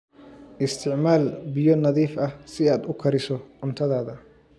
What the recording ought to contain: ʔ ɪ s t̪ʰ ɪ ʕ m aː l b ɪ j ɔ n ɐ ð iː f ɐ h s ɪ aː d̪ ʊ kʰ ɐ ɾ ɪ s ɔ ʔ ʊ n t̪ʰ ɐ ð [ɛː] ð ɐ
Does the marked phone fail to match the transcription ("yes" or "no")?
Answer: yes